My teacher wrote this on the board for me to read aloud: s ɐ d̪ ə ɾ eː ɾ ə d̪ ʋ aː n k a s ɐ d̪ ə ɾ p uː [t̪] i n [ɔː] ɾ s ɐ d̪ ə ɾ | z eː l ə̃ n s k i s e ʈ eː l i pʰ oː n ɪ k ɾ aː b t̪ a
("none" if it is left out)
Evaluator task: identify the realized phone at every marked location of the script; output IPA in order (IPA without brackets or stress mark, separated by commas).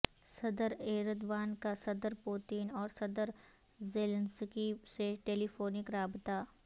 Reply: t̪, ɔː